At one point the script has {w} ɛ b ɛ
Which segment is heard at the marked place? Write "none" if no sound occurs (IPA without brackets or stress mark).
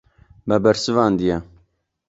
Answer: b